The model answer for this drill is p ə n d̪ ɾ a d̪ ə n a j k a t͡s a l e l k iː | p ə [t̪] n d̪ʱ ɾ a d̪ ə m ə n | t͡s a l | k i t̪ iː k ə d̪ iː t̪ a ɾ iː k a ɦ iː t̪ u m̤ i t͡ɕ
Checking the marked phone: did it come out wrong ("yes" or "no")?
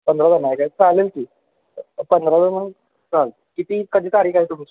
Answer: yes